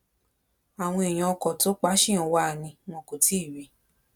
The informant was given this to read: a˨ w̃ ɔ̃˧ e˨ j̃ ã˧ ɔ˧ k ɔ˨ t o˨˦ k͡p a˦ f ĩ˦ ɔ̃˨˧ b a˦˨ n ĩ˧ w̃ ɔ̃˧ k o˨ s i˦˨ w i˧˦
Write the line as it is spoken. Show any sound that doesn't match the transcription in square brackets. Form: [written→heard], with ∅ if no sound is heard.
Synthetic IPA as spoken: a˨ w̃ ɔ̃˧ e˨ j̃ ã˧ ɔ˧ k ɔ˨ t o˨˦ k͡p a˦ [f→ʃ] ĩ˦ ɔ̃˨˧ [b→w] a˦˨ n ĩ˧ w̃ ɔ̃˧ k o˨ [s→t] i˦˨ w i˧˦